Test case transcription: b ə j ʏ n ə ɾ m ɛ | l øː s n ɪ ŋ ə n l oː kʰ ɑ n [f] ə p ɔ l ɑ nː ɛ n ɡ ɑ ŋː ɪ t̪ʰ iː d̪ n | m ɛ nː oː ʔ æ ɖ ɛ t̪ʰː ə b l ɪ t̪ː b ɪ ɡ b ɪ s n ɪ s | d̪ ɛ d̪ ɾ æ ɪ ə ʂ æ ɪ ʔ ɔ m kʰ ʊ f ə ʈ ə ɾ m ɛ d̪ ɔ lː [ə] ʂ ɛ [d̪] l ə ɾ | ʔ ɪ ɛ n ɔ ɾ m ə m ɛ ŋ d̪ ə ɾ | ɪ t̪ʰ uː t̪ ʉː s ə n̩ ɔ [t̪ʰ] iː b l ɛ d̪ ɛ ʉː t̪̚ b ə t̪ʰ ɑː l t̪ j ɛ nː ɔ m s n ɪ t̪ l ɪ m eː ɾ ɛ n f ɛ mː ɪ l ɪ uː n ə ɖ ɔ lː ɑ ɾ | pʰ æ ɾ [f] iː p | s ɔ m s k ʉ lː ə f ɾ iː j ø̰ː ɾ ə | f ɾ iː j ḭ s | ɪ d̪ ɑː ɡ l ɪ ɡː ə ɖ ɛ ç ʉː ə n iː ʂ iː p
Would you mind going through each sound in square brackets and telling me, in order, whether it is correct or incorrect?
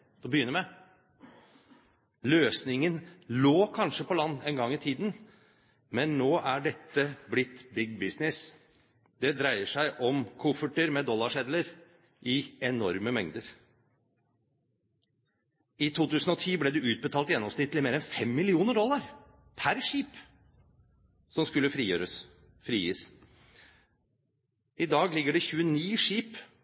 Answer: incorrect: ʂ, incorrect: ɑ, correct, correct, incorrect: ʂ

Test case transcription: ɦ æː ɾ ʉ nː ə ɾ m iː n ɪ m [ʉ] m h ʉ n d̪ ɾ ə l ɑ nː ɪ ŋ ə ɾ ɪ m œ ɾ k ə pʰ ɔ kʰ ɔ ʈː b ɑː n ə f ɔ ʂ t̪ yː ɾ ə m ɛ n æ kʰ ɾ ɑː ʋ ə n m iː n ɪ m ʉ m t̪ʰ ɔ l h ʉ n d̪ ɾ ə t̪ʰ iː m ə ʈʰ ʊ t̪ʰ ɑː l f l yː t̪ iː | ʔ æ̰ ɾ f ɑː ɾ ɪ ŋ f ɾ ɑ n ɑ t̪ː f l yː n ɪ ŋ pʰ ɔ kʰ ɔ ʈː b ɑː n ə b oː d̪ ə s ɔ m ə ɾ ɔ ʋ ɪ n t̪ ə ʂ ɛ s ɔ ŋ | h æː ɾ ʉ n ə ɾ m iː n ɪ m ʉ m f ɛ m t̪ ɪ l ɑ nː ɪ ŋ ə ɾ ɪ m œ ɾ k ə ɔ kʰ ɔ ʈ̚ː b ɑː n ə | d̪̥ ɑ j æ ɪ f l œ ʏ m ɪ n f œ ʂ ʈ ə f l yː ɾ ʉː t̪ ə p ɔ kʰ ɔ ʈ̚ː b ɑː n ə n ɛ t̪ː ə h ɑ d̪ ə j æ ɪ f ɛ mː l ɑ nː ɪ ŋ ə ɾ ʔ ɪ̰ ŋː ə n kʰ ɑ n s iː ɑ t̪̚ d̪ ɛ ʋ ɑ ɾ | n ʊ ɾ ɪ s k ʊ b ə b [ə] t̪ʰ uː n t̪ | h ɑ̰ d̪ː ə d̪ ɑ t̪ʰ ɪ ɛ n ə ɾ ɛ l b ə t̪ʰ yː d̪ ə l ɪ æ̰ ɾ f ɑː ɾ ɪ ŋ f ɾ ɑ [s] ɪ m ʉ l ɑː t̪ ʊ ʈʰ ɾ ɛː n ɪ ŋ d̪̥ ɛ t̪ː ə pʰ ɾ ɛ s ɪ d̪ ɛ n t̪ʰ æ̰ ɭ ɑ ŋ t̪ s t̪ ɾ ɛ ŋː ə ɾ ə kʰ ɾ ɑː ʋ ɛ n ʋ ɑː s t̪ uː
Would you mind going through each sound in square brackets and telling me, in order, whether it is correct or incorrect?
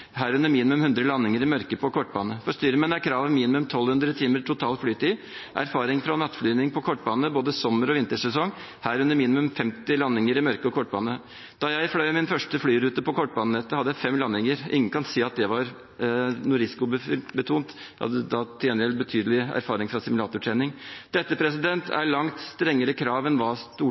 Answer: correct, correct, correct

